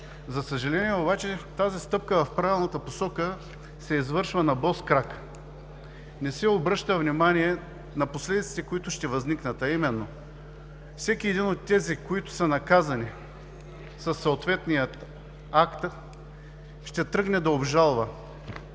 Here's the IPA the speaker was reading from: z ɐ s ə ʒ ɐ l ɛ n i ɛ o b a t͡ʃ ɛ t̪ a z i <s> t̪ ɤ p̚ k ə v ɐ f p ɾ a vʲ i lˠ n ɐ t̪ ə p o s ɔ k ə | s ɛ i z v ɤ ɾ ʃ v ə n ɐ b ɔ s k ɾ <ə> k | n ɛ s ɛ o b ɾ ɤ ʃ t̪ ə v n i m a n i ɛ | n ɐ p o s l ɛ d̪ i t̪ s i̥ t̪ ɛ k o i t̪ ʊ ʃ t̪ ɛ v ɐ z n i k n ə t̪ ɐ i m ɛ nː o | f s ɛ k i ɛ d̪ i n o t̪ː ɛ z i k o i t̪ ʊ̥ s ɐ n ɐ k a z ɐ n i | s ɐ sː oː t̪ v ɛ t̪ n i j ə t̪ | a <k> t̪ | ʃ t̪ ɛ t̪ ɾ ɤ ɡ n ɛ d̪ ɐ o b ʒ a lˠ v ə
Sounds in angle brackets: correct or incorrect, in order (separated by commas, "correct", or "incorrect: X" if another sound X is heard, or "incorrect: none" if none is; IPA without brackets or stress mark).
correct, incorrect: a, correct